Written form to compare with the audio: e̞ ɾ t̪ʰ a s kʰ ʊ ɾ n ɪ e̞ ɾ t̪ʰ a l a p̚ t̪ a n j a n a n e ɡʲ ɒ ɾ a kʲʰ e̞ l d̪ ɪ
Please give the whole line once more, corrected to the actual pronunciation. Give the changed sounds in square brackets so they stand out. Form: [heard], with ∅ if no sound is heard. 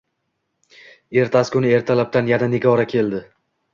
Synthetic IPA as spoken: e̞ ɾ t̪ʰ a s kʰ ʊ [∅] n ɪ e̞ ɾ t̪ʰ a l a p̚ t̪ a n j a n a n e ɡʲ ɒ ɾ a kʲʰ e̞ l d̪ ɪ

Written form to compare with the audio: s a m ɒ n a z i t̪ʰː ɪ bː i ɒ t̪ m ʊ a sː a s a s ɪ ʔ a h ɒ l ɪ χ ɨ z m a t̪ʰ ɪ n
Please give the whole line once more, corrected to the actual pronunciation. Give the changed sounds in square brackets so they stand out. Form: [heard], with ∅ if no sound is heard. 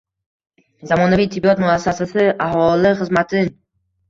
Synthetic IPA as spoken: [z] a m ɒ n a [v] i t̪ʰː ɪ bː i ɒ t̪ m ʊ a sː a s a s ɪ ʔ a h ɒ l ɪ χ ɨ z m a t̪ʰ ɪ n

